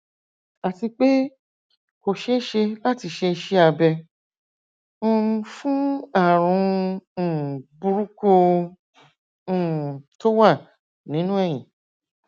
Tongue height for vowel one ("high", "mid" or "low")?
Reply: low